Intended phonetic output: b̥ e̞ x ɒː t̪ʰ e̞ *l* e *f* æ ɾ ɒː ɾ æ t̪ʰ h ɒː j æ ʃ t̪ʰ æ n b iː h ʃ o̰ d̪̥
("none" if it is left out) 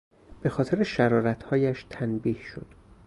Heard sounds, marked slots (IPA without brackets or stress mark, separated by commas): ɾ, ʃ